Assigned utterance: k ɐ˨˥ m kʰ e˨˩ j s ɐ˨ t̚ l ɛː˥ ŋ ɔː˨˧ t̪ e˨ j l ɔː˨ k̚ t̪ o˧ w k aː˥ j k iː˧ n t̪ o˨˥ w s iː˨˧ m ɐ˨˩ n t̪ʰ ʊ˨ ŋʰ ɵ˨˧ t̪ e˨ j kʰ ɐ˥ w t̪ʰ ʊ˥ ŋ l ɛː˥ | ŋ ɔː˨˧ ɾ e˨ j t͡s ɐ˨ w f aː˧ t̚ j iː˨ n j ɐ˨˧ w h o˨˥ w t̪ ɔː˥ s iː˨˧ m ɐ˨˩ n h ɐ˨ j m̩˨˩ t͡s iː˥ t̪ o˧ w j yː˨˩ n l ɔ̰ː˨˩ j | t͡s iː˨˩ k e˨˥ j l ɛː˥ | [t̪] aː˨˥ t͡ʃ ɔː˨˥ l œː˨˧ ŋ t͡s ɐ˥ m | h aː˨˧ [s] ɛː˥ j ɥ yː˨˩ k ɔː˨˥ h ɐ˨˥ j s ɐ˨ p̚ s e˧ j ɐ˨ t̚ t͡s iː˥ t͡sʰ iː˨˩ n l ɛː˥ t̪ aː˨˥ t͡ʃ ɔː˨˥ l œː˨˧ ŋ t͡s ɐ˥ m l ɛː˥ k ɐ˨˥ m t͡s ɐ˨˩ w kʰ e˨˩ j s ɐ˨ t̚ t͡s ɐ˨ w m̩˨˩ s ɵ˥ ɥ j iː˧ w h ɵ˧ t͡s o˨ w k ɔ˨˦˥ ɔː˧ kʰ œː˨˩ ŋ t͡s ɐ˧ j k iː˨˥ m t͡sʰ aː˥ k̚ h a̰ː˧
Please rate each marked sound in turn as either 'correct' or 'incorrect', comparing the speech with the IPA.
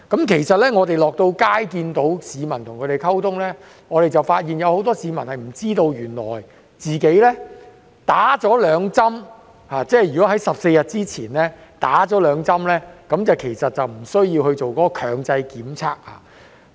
correct, incorrect: t͡s

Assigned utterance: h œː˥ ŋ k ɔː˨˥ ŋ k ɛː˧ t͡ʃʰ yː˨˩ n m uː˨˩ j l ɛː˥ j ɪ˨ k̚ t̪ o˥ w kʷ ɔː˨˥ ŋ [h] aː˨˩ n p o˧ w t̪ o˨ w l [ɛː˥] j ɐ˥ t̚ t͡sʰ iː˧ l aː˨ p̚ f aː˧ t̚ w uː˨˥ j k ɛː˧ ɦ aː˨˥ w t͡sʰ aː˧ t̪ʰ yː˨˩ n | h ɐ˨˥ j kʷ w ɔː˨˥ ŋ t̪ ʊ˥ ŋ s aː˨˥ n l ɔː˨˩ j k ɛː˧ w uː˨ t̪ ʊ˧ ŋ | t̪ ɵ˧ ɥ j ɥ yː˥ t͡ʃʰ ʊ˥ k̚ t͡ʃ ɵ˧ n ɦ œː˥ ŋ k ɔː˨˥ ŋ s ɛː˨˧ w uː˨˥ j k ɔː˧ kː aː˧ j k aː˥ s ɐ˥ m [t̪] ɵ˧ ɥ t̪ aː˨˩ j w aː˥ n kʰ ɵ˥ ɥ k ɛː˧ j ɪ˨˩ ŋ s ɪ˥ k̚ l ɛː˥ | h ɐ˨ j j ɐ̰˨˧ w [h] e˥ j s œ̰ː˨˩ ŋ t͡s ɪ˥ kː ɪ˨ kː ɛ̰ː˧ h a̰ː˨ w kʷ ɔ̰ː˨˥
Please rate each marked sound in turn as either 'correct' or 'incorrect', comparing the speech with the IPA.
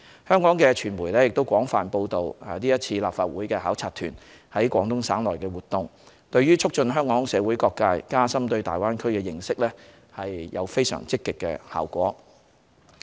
incorrect: f, incorrect: iː˥, correct, incorrect: f

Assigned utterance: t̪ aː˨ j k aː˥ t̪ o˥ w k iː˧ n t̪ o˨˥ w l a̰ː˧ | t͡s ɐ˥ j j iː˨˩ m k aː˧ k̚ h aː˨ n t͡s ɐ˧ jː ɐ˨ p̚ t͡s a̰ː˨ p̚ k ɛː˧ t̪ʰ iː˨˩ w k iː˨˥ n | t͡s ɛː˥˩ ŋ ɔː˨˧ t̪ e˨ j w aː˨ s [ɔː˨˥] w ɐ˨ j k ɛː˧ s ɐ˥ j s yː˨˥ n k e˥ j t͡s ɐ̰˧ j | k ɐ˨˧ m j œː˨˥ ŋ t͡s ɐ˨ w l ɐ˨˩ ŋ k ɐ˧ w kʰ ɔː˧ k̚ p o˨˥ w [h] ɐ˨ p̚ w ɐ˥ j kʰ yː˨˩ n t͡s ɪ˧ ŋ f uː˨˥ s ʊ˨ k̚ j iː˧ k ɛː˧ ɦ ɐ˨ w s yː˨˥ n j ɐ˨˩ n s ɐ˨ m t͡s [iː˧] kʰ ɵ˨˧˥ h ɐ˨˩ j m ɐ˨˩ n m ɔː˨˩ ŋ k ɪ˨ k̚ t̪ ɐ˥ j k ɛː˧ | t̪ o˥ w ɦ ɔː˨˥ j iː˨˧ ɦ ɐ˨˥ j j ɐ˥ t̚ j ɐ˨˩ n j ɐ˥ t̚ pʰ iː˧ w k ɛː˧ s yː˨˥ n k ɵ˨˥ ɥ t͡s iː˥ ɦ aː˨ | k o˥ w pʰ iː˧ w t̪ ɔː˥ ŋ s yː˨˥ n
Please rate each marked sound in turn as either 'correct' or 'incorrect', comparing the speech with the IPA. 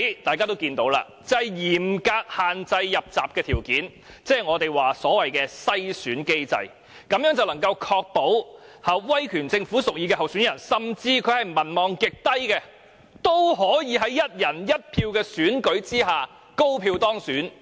correct, correct, correct

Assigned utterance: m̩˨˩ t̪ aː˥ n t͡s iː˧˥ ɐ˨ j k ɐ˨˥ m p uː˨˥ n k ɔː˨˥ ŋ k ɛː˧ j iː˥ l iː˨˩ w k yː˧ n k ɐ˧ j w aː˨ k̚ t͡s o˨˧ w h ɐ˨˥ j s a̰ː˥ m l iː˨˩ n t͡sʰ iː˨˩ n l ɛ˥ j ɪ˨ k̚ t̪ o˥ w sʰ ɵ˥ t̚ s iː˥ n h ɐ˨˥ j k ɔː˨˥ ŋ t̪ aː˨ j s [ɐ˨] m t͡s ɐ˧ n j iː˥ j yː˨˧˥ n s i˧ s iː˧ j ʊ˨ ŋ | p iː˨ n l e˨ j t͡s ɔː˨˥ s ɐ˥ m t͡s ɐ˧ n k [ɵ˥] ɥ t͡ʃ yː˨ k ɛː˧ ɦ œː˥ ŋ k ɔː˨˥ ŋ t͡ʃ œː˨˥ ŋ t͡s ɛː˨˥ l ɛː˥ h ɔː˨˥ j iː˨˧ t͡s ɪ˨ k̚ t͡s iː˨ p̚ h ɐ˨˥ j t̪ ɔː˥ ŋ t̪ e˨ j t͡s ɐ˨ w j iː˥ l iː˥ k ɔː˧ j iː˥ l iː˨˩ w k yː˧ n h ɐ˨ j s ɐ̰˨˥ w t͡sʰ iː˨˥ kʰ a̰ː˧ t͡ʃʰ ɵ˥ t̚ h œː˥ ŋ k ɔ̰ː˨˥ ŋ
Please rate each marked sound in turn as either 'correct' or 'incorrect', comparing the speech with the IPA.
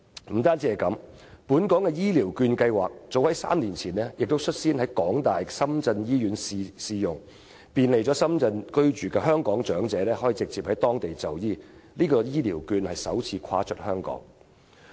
incorrect: ɐ˥, correct

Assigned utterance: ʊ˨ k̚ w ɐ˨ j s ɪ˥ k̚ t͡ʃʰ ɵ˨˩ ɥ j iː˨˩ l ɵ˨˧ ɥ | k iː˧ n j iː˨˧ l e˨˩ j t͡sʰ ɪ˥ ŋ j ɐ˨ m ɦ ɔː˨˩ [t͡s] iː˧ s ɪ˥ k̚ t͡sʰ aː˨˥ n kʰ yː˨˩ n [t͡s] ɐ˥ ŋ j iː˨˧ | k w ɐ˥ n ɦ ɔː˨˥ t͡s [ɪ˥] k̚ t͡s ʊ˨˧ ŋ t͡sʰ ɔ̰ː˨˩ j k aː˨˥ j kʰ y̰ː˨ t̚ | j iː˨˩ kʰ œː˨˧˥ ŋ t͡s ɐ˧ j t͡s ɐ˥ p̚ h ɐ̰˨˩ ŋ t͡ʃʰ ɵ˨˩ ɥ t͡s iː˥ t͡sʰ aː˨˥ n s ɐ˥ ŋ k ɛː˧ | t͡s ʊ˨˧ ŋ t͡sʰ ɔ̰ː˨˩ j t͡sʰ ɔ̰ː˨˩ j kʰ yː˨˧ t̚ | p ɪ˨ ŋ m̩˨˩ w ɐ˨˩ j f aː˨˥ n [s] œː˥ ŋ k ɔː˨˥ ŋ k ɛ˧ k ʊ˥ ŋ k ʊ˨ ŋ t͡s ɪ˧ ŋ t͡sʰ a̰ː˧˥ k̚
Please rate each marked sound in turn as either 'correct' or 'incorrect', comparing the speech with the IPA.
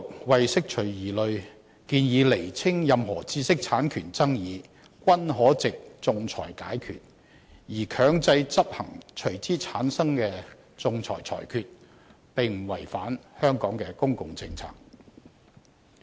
correct, correct, incorrect: ɪ˨, incorrect: h

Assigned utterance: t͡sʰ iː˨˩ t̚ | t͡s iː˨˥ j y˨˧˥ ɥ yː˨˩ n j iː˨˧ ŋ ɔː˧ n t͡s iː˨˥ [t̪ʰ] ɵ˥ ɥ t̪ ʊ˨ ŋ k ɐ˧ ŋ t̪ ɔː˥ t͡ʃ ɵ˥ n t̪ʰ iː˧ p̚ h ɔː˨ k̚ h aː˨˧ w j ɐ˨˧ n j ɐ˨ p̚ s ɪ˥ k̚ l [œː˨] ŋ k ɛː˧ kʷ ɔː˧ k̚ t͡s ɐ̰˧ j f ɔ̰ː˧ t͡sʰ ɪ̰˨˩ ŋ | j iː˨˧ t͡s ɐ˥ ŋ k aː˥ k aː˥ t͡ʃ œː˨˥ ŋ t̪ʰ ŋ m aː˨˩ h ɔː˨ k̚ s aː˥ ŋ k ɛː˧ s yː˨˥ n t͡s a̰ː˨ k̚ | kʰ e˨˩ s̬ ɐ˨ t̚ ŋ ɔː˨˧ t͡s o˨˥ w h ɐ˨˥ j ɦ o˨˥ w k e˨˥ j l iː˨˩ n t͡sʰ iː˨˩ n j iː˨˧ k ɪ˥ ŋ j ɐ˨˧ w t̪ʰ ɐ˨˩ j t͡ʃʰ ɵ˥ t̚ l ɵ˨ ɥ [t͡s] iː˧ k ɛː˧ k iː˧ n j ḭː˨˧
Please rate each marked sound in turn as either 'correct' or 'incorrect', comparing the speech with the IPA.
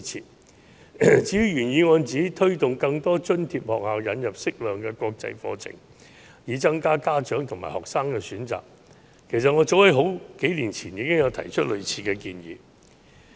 correct, correct, incorrect: t͡sʰ

